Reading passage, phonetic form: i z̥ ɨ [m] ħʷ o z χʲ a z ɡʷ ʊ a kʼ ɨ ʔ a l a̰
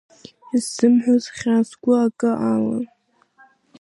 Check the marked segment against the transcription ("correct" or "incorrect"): correct